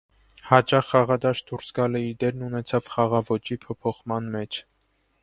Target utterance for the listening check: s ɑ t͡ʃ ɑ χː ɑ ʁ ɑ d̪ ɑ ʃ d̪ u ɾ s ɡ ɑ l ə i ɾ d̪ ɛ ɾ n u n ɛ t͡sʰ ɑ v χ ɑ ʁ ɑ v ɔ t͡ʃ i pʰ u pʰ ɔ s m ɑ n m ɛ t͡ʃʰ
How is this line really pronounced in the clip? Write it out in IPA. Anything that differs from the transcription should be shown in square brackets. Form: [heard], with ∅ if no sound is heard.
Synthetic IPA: [h] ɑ t͡ʃ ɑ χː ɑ ʁ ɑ d̪ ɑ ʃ d̪ u ɾ s ɡ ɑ l ə i ɾ d̪ ɛ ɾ n u n ɛ t͡sʰ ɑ v χ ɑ ʁ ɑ v ɔ t͡ʃ i pʰ [ɔ] pʰ ɔ [χ] m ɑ n m ɛ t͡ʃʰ